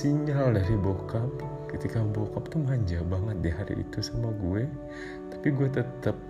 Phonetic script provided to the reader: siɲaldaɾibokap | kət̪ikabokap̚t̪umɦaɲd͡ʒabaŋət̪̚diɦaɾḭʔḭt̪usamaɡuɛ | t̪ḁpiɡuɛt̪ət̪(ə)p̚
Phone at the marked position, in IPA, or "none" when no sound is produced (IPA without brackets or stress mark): ə